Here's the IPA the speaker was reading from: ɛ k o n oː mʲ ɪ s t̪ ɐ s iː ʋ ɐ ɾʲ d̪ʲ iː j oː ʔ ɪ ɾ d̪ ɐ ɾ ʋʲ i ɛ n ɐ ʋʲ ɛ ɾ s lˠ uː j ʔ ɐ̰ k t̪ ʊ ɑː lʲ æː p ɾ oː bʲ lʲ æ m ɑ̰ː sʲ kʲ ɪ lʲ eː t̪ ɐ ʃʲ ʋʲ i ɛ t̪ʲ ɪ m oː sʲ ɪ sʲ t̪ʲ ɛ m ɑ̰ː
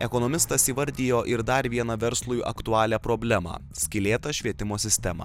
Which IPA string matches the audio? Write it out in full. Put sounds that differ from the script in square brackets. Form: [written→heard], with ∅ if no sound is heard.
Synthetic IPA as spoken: ɛ k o n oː mʲ ɪ s t̪ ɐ s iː ʋ ɐ ɾʲ d̪ʲ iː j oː ʔ ɪ ɾ d̪ ɐ ɾ ʋʲ i ɛ n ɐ ʋʲ ɛ ɾ s lˠ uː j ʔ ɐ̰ k t̪ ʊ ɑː lʲ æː p ɾ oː bʲ lʲ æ m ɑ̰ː sʲ kʲ ɪ lʲ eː t̪ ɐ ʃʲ ʋʲ i ɛ t̪ʲ ɪ m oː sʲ ɪ sʲ t̪ʲ ɛ m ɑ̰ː